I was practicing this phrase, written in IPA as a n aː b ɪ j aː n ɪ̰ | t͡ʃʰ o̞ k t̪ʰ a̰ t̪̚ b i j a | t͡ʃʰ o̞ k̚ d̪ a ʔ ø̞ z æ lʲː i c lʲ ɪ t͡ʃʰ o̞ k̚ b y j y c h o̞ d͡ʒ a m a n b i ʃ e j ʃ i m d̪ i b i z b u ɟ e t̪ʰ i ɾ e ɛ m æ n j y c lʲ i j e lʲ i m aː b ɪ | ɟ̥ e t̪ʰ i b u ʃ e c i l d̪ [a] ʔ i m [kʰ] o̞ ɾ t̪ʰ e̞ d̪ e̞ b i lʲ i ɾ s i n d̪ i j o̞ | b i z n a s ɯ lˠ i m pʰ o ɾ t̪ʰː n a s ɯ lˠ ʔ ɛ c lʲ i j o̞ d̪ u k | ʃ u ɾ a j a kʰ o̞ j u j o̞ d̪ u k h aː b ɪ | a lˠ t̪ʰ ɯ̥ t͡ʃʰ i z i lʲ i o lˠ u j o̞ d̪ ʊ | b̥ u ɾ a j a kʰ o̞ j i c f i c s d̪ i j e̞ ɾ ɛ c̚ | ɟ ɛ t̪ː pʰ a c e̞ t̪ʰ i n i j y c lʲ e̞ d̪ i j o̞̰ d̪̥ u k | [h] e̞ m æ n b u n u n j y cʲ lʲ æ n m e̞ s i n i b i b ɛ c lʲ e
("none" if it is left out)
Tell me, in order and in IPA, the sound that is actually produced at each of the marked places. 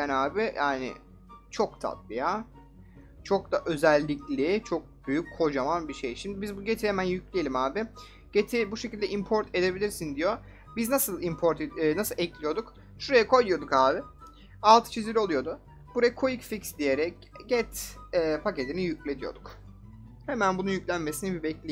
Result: ɛ, pʰ, h

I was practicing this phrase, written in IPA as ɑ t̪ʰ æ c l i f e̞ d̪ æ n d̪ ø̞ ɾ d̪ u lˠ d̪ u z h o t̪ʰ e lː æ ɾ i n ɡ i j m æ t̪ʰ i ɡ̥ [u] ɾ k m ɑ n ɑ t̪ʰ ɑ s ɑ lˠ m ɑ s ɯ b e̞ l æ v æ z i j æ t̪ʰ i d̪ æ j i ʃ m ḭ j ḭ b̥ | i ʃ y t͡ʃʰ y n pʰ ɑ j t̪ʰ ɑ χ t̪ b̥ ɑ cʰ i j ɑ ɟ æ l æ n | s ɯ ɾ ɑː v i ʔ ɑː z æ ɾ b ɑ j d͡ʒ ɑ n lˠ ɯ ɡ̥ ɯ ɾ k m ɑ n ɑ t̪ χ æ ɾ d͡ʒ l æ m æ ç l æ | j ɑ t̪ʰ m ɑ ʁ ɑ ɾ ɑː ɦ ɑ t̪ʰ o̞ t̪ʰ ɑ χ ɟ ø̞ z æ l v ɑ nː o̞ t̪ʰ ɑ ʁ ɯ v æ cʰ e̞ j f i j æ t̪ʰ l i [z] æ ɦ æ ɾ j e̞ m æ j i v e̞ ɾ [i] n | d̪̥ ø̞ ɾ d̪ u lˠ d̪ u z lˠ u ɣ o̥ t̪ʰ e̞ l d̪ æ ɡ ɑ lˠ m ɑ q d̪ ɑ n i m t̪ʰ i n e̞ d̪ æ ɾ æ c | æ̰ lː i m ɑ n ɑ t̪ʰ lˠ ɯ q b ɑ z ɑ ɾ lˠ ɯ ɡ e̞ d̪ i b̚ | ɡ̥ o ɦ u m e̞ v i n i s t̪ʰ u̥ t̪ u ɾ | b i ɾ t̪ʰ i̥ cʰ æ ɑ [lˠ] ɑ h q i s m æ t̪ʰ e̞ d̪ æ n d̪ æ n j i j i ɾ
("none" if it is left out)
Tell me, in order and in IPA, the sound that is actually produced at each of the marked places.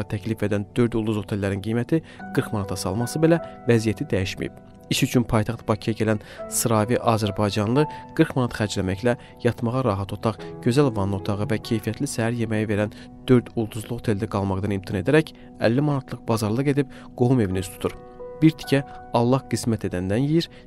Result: ɯ, s, æ, lˠː

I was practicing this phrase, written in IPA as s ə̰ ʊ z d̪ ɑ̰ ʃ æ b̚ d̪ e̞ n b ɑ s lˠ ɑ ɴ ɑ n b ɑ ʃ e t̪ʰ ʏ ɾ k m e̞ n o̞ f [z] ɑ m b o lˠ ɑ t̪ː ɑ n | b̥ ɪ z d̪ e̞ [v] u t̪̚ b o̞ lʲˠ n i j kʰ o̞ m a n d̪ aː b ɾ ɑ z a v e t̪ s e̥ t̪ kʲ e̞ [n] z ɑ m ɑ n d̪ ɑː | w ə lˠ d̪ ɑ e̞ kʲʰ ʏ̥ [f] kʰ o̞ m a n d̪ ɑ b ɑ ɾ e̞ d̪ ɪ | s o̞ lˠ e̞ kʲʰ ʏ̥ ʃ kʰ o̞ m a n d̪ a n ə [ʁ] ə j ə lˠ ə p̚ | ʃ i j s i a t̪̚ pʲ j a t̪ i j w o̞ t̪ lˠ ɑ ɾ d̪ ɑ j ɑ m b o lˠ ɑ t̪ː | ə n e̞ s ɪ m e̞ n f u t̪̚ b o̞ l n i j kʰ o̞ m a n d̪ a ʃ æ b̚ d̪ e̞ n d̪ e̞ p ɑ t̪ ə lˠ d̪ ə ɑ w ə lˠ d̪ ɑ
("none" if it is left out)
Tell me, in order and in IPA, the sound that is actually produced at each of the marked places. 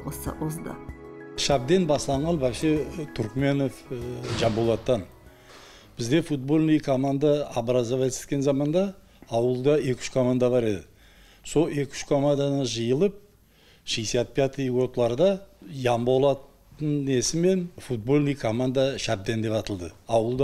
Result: ʒ, f, n, ʃ, ʒ

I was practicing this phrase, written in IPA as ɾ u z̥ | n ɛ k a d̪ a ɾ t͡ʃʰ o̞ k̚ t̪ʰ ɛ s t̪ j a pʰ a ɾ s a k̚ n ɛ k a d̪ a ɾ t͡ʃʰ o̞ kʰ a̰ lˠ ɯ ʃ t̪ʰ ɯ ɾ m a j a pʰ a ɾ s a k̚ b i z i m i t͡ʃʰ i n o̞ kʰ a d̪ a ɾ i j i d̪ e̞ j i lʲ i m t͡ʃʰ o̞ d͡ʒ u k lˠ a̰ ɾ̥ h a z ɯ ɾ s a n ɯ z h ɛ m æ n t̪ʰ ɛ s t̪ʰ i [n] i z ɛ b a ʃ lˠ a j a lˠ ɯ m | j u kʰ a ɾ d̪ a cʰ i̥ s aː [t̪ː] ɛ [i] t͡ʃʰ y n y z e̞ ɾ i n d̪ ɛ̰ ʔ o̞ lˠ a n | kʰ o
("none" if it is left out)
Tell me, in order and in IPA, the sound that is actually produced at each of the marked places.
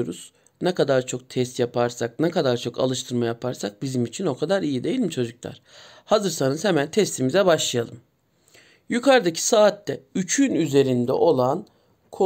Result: m, t̪ː, y

